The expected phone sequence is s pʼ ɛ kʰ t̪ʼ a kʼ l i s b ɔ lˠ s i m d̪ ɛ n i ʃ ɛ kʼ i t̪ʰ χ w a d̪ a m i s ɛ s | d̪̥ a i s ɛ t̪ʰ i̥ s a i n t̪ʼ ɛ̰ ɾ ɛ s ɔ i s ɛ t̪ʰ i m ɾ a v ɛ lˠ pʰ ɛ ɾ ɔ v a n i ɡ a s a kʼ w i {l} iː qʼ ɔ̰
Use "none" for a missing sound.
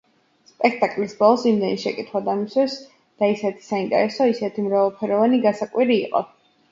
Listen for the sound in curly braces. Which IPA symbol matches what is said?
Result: ɾ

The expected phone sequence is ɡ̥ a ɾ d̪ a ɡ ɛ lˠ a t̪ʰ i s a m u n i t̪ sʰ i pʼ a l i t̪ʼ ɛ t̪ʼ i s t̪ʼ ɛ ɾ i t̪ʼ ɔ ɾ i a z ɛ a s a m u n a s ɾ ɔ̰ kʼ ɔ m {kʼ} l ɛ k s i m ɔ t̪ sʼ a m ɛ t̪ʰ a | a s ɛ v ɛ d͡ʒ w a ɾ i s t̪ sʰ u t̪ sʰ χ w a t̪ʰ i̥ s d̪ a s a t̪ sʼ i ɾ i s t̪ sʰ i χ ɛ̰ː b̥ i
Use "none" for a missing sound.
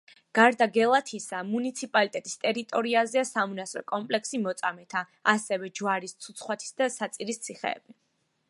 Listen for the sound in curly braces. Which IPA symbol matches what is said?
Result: pʼ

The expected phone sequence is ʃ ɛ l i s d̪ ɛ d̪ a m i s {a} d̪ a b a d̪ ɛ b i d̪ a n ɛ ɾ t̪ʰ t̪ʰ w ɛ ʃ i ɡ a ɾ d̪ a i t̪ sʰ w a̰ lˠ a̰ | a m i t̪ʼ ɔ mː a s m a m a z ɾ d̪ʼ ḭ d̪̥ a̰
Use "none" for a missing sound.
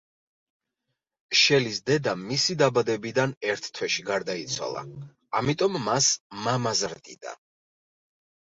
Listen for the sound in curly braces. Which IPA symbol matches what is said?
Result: i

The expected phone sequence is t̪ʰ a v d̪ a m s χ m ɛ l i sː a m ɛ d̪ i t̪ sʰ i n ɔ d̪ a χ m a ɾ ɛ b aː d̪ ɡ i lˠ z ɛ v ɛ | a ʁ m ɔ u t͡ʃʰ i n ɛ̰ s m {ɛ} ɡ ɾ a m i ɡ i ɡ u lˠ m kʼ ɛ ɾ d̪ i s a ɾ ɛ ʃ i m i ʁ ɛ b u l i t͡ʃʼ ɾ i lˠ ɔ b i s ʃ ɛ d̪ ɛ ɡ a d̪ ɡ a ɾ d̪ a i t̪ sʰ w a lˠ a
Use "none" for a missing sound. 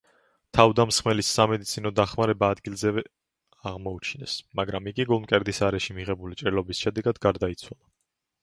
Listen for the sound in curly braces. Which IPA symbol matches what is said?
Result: a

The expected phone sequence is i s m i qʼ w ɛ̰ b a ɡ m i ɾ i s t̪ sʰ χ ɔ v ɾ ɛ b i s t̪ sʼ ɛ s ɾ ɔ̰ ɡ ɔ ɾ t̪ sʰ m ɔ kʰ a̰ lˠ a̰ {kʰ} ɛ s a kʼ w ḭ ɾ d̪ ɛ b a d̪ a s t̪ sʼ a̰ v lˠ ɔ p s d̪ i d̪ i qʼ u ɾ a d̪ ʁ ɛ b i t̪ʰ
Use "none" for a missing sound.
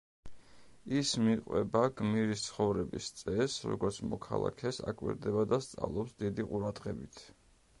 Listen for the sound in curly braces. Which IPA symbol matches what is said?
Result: kʰ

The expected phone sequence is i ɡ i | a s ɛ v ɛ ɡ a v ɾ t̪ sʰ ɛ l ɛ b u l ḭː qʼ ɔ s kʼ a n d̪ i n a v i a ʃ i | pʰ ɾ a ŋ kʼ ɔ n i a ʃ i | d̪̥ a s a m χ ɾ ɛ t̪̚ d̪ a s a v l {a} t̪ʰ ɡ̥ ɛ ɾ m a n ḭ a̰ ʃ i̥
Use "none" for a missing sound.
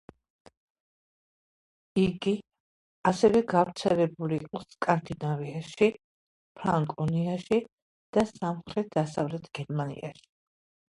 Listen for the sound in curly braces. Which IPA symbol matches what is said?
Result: ɛ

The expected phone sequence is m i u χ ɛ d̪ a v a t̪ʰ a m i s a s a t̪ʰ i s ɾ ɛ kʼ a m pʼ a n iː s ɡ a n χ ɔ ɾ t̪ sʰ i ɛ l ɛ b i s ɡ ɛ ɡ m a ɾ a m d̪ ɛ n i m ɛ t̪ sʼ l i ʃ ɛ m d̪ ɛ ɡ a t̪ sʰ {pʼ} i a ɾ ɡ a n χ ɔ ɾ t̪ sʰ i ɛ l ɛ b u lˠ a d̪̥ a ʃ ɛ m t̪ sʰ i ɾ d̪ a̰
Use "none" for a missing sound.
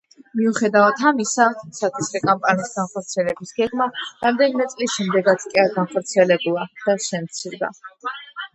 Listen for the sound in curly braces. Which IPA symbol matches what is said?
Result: kʼ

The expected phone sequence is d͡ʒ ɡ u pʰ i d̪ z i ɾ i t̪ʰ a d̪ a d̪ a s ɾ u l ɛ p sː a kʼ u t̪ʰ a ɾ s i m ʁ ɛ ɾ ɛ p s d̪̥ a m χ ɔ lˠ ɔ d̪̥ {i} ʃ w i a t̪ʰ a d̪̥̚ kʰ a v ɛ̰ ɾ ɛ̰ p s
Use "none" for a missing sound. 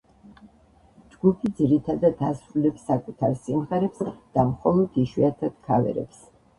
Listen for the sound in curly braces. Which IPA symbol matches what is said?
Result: i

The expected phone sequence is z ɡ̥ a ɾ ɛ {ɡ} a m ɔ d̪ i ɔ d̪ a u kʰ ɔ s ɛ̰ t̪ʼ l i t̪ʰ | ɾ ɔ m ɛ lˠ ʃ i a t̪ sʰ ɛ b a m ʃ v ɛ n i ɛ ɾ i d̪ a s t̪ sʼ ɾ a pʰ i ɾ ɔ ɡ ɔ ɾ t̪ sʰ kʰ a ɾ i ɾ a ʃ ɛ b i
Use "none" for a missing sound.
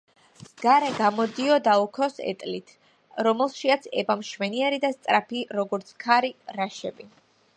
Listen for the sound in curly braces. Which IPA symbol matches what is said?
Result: ɡ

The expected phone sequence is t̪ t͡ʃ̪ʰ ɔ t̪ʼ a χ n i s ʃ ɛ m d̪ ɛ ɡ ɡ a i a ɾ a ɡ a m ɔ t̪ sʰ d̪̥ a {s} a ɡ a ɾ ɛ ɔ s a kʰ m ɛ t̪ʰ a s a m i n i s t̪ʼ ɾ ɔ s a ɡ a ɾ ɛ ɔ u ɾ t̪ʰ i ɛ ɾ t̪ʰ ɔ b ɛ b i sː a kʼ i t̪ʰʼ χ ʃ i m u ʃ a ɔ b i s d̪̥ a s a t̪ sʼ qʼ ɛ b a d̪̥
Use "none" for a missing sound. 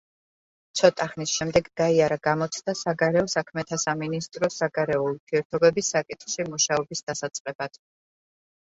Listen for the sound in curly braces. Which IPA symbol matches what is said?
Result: s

